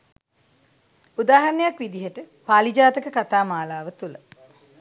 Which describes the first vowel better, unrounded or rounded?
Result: rounded